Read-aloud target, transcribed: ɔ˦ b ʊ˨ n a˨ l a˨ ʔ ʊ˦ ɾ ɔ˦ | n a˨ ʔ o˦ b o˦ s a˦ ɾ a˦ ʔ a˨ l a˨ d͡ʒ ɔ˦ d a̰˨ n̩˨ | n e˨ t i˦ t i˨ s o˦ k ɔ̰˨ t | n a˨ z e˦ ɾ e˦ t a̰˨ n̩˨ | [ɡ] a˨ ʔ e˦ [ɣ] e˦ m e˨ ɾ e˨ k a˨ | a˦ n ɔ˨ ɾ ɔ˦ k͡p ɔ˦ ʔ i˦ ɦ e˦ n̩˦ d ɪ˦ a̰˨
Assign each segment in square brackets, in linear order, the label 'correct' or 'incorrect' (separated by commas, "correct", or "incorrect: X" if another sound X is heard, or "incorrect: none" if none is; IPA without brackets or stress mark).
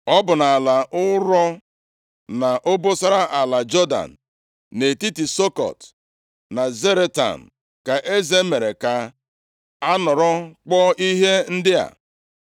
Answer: incorrect: k, incorrect: z